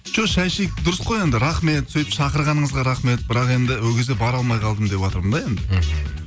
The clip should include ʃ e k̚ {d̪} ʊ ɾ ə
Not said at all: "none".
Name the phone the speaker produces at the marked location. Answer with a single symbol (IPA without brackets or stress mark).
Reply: d̪